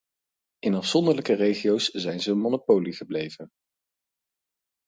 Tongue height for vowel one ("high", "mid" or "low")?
high